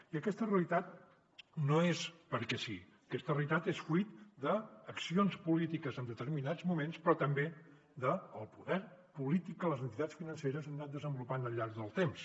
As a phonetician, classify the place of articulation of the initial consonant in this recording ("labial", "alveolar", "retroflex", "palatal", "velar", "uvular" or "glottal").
velar